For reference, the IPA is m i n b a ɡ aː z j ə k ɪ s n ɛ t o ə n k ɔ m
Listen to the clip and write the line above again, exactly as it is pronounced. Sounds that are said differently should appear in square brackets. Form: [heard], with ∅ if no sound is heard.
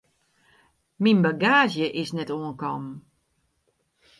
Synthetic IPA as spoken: m i n b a ɡ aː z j ə [ʔ] ɪ s n ɛ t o ə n k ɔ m

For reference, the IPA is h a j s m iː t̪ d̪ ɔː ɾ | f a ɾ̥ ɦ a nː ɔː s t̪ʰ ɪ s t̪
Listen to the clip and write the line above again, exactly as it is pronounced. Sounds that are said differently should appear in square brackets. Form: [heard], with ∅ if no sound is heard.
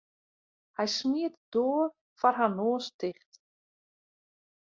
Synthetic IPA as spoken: h a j s m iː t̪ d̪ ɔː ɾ | f a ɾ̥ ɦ a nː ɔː s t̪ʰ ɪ [χ] t̪

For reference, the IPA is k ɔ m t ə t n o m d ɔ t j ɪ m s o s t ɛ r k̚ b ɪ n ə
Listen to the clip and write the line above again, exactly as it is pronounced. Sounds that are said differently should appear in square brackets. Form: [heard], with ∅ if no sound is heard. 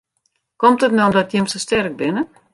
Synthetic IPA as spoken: k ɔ m t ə t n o m d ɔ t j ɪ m s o s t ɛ r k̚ b ɪ n ə

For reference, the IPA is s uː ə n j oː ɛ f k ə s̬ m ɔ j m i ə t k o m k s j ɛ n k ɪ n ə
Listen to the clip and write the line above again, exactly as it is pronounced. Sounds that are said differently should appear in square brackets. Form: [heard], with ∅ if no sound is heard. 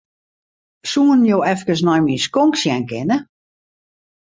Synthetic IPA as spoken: s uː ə n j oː ɛ f k ə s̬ [n] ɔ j m i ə [s] k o [ŋ] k s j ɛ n k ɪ n ə

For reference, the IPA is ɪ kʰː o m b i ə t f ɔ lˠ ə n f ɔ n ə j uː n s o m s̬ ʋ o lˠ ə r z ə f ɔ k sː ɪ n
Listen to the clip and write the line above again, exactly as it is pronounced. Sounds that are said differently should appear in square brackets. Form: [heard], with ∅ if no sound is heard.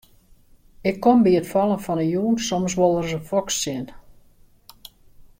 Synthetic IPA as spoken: ɪ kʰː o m b i ə t f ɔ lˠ ə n f ɔ n ə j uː n s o m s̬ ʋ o lˠ ə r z ə f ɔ k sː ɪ n

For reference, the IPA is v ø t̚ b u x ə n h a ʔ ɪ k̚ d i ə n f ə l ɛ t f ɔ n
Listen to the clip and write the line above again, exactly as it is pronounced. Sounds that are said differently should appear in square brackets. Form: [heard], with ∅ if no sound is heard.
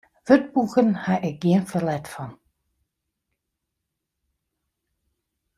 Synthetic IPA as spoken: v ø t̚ b u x ə n h a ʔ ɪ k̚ [ɡ] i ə n f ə l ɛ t f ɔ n

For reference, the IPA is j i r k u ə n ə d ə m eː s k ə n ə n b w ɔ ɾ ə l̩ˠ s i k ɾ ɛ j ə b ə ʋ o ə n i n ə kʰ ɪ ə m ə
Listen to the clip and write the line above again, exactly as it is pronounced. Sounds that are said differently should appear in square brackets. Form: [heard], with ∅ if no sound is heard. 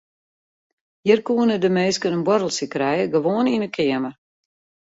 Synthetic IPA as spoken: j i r k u ə n ə d ə m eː s k ə n ə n b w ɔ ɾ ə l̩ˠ s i k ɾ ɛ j ə [ɡ] ə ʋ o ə n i n ə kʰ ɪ ə m ə

